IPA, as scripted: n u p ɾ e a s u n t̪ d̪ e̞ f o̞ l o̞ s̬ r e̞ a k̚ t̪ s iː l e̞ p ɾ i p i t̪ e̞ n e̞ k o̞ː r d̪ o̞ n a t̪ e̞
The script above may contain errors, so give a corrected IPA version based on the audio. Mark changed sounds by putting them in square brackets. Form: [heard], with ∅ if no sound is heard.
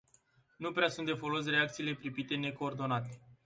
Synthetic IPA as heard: n u p ɾ e a s u n t̪ d̪ e̞ f o̞ l o̞ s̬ r e̞ a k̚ t̪ s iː l e̞ p ɾ i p i t̪ e̞ n e̞ k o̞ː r d̪ o̞ n a t̪ e̞

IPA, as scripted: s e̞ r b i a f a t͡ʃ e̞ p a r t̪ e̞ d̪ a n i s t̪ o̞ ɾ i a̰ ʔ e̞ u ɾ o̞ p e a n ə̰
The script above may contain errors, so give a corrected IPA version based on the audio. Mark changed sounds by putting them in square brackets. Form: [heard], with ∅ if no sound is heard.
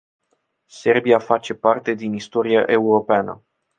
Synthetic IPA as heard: s e̞ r b i a f a t͡ʃ e̞ p a r t̪ e̞ d̪ [i] n i s t̪ o̞ ɾ i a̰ ʔ e̞ u ɾ o̞ p e a n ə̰

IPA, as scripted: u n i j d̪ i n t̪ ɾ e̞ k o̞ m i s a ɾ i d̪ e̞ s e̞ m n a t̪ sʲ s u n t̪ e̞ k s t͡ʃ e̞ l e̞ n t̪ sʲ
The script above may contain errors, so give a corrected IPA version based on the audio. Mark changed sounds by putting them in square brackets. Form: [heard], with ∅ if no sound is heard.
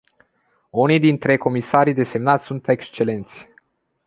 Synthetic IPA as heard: u n i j d̪ i n t̪ ɾ e̞ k o̞ m i s a ɾ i d̪ e̞ s e̞ m n a t̪ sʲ s u n t̪ e̞ k s t͡ʃ e̞ l e̞ n t̪ sʲ

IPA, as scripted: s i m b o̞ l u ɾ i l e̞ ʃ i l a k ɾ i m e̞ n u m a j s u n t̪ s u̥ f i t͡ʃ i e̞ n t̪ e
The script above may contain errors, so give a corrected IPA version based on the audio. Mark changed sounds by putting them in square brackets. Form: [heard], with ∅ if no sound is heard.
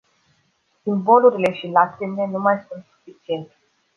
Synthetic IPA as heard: s i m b o̞ l u ɾ i l e̞ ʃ i l a k ɾ i m e̞ n u m a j s u n t̪ s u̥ f i t͡ʃ i e̞ n t̪ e

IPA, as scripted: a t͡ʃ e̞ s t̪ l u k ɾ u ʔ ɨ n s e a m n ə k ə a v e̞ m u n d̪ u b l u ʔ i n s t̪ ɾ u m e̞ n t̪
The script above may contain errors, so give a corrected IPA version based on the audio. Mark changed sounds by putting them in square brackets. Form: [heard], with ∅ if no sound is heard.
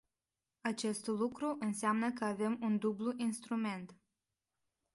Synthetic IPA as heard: a t͡ʃ e̞ s t̪ l u k ɾ u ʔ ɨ n s e a m n ə k ə a v e̞ m u n d̪ u b l u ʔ i n s t̪ ɾ u m e̞ n t̪

